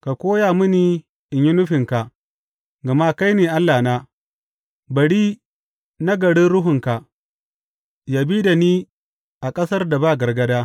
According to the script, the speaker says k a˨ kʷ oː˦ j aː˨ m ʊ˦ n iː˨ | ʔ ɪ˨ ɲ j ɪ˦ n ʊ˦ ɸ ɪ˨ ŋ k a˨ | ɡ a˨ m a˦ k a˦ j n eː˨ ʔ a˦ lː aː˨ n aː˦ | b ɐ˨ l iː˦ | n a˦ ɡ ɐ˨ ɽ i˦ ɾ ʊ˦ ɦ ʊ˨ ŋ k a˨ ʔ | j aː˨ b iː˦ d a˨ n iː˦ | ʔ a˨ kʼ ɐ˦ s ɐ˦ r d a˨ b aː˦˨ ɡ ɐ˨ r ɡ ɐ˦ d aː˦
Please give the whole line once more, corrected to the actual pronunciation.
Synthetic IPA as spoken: k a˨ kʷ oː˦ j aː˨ m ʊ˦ n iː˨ | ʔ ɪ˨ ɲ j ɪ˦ n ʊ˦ ɸ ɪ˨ ŋ k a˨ | ɡ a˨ m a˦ k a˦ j n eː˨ ʔ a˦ lː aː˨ n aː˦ | b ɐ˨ ɽ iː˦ | n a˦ ɡ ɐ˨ ɽ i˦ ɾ ʊ˦ ɦ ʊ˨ ŋ k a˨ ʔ | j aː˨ b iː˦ d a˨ n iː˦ | ʔ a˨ kʼ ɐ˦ s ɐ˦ r d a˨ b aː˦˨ ɡ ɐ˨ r ɡ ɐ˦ d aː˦